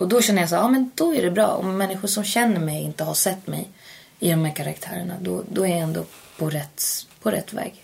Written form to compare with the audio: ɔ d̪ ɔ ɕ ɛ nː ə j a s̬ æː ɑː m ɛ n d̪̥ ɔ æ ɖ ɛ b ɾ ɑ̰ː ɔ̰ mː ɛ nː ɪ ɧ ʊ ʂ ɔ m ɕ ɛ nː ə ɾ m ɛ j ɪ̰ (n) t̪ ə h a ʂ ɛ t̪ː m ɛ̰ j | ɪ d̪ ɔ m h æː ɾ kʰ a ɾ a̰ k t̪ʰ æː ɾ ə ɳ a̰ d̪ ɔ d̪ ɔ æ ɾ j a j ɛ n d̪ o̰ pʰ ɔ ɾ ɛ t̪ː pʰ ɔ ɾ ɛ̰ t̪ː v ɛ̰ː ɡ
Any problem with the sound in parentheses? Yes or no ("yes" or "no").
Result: no